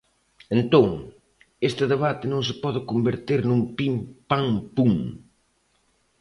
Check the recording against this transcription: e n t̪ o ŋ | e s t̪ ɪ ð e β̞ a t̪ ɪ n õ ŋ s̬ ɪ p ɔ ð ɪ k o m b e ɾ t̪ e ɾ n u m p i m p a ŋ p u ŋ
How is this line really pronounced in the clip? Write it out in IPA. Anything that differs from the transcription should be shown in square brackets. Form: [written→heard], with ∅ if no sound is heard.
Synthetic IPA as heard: e n t̪ o ŋ | e s t̪ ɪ ð e β̞ a t̪ ɪ n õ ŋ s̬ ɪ p ɔ ð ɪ k o m b e ɾ t̪ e ɾ n u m p i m p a ŋ p u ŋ